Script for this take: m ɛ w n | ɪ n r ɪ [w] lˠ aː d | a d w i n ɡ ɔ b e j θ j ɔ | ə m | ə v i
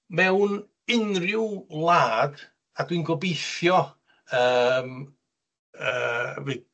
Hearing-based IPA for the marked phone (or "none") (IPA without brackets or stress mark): w